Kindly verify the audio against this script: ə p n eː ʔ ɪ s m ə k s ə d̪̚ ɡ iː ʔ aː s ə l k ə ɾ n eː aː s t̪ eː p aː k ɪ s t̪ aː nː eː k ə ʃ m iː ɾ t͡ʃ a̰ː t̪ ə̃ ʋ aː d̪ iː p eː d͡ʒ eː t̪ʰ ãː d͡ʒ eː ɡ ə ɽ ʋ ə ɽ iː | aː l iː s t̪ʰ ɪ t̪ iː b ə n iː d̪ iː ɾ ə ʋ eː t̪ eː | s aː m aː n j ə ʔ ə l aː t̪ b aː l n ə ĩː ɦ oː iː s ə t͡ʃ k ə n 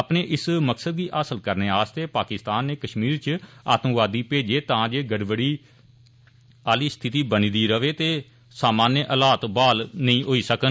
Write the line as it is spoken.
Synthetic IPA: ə p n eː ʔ ɪ s m ə k s ə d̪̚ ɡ iː ʔ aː s ə l k ə ɾ n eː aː s t̪ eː p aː k ɪ s t̪ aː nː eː k ə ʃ m iː ɾ t͡ʃ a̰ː t̪ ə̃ ʋ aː d̪ iː p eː d͡ʒ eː t̪ ãː d͡ʒ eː ɡ ə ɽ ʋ ə ɽ iː | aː l iː s t̪ʰ ɪ t̪ iː b ə n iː d̪ iː ɾ ə ʋ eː t̪ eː | s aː m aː n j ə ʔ ə l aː t̪ b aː l n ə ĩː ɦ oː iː s ə k ə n